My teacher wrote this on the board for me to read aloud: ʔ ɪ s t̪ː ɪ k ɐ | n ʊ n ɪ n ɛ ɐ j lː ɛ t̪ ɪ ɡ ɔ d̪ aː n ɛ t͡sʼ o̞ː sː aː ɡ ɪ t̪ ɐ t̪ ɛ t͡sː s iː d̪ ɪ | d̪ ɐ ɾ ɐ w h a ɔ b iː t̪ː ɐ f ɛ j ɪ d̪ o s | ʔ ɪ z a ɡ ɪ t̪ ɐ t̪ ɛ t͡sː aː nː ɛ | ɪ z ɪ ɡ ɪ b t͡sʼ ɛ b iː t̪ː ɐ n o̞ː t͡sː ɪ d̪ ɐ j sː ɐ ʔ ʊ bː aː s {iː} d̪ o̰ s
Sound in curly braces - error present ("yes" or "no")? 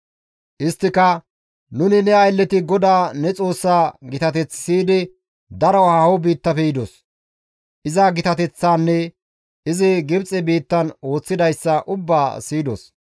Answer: no